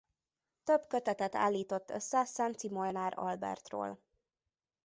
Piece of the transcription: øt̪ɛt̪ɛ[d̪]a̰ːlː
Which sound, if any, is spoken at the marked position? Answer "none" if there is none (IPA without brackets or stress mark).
t̪